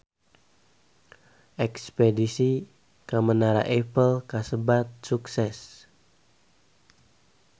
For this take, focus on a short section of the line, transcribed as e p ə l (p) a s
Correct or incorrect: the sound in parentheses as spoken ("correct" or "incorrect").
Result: incorrect